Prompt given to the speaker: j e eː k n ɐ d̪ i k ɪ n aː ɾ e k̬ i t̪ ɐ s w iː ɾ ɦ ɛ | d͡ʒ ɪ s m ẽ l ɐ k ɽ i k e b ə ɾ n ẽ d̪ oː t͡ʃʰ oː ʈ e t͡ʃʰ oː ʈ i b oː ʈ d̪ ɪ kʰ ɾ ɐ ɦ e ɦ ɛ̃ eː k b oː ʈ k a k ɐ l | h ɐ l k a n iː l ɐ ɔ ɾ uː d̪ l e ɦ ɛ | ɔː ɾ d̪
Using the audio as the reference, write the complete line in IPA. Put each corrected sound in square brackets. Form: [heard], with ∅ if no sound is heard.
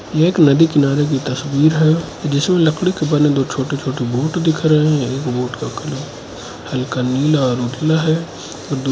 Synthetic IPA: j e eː k n ɐ d̪ i k ɪ n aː ɾ e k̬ i t̪ ɐ s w iː ɾ ɦ ɛ | d͡ʒ ɪ s m ẽ l ɐ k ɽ i k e b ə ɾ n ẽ d̪ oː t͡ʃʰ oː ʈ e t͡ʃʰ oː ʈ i b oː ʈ d̪ ɪ kʰ ɾ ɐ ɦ e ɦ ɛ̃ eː k b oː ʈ k a k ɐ l | h ɐ l k a n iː l [a] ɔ ɾ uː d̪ l [a] ɦ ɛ | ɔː ɾ d̪